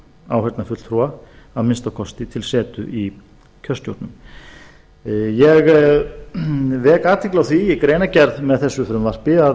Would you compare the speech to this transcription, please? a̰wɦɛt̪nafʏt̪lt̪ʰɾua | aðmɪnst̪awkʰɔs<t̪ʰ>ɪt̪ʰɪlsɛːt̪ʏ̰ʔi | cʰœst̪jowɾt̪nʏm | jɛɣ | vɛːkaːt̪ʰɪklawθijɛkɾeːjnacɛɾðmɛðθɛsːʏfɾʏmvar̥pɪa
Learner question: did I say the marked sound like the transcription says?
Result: no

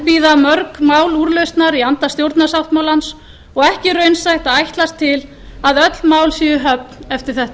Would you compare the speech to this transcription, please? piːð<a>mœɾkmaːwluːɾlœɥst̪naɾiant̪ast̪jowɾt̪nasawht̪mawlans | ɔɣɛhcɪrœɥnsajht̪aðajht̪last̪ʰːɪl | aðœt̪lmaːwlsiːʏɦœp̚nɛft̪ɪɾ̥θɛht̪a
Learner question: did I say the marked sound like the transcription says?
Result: yes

